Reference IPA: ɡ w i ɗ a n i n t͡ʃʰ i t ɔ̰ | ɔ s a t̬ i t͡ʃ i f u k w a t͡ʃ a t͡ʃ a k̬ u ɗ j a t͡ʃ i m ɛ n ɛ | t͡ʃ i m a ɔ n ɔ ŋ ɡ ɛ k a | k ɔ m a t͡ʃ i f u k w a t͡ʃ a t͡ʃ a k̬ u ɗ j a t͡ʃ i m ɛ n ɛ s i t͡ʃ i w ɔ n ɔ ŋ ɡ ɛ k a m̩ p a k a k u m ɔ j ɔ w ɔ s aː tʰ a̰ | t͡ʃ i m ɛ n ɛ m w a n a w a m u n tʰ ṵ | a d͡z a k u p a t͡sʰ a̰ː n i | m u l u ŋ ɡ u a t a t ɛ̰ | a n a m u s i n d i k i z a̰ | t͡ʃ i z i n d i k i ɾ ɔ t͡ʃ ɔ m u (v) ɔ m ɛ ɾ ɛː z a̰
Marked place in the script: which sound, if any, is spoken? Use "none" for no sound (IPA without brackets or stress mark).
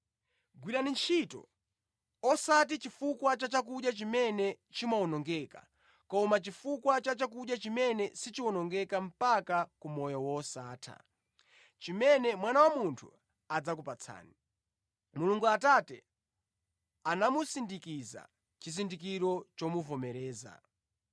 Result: v